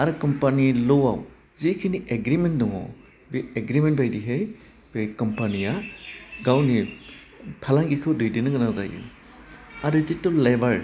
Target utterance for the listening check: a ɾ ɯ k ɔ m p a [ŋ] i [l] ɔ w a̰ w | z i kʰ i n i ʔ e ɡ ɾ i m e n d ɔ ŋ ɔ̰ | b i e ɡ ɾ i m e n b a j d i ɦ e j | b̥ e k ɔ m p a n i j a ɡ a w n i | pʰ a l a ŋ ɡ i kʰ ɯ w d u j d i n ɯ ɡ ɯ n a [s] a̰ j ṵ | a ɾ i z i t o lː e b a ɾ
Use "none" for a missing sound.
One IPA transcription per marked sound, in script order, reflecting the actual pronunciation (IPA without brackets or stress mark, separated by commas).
n, l, z